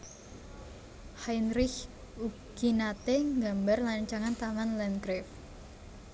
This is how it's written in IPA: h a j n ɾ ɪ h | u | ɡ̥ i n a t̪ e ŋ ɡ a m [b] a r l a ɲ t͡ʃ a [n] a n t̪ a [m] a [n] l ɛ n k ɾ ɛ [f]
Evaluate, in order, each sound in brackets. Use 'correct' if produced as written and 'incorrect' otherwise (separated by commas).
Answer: correct, incorrect, correct, correct, correct